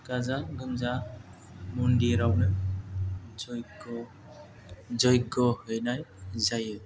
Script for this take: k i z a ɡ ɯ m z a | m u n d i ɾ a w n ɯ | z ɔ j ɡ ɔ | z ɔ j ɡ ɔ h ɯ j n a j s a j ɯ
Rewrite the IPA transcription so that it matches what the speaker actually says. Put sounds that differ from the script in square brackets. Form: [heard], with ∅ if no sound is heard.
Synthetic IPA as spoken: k [a] z a ɡ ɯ m z a | m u n d i ɾ a w n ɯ | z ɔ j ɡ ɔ | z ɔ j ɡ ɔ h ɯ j n a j [z] a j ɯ